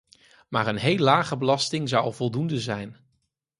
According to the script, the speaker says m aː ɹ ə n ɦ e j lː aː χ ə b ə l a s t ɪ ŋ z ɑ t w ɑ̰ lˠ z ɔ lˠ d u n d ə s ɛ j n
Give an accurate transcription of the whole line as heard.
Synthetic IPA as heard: m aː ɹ ə n ɦ e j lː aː χ ə b ə l ɑ s t ɪ ŋ z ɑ w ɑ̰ lˠ v ɔ lˠ d u n d ə z ɛ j n